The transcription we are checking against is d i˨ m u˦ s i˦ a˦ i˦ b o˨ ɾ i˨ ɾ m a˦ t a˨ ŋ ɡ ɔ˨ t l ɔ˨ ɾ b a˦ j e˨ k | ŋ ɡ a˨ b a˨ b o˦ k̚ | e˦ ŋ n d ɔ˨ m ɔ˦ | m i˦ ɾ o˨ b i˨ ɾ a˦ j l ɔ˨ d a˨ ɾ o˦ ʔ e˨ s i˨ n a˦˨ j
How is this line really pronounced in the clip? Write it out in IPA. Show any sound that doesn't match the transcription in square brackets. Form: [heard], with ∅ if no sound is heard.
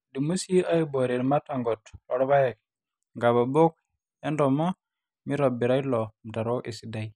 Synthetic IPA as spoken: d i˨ m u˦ s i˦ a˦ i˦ b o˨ ɾ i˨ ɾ m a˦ t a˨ ŋ ɡ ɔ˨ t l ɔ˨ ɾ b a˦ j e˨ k | ŋ ɡ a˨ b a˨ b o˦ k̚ | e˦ [∅] n d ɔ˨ m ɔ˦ | m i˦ ɾ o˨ b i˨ ɾ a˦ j l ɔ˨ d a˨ ɾ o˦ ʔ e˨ s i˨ [d] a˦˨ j